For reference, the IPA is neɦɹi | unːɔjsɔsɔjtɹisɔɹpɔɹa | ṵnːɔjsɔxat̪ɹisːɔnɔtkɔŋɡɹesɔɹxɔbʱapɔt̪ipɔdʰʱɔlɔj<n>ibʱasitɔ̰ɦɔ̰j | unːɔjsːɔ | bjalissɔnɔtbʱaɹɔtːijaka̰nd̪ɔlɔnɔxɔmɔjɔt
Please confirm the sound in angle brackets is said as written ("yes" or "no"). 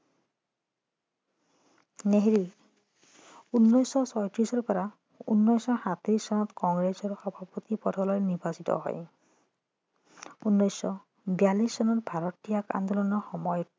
yes